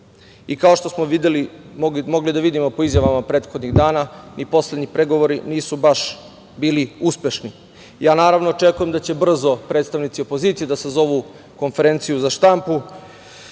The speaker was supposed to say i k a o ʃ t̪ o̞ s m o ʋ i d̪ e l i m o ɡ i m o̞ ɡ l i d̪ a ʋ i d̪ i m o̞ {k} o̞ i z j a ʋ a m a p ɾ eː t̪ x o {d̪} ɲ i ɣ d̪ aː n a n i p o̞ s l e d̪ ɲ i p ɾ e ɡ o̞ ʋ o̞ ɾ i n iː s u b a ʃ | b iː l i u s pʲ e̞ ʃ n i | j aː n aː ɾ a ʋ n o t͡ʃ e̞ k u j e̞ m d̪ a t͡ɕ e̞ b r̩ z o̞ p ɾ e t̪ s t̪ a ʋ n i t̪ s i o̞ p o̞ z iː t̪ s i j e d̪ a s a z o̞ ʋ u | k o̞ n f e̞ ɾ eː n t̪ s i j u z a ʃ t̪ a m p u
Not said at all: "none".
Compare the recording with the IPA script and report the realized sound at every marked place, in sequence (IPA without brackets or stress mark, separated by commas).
p, d̪